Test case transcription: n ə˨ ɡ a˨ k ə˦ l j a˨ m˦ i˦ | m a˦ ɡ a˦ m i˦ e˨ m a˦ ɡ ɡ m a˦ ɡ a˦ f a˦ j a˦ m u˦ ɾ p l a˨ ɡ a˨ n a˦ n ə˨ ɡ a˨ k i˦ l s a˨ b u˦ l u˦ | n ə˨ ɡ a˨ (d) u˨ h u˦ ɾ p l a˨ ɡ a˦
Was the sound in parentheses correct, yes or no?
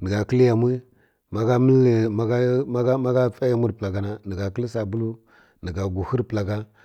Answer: no